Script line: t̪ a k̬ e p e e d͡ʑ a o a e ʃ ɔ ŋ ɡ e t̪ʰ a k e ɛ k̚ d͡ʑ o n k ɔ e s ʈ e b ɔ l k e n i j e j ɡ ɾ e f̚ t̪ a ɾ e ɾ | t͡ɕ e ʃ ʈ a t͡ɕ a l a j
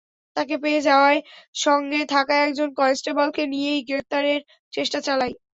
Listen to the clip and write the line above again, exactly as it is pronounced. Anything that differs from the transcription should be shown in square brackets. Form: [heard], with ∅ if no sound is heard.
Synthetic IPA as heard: t̪ a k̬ e p e e d͡ʑ a o a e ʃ ɔ ŋ ɡ e t̪ʰ a k [a] ɛ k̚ d͡ʑ o n k ɔ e s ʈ e b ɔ l k e n i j e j ɡ ɾ e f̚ t̪ a ɾ e ɾ | t͡ɕ e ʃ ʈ a t͡ɕ a l a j